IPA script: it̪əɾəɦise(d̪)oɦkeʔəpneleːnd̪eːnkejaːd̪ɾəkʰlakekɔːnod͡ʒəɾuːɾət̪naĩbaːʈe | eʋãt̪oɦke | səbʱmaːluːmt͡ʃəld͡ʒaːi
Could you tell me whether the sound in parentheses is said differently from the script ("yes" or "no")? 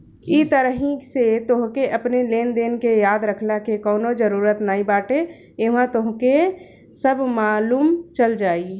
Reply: yes